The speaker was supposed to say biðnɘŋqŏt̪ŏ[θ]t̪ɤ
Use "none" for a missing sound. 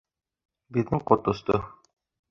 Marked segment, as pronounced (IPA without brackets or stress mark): s